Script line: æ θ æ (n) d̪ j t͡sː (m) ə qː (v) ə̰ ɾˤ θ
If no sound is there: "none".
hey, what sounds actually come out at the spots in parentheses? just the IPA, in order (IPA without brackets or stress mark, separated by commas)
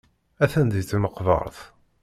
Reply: n, m, v